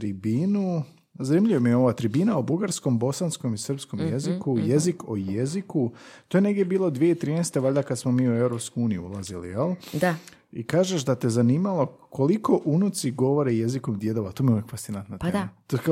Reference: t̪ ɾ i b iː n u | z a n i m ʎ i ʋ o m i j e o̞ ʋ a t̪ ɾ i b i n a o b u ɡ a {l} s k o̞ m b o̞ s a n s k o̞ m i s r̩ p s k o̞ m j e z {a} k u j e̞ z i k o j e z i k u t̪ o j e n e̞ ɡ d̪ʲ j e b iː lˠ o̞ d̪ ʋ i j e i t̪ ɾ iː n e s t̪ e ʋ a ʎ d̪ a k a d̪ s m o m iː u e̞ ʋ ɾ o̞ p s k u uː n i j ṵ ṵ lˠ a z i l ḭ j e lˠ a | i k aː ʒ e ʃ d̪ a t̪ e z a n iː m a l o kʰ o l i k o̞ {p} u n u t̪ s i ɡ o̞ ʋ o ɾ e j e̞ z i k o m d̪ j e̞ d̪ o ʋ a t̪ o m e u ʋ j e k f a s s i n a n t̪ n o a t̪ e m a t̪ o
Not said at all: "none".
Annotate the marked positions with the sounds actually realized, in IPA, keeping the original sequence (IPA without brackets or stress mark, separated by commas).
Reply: ɾ, i, ʔ